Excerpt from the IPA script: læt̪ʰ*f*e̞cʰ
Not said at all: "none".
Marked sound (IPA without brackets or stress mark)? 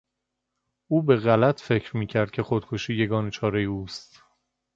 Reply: f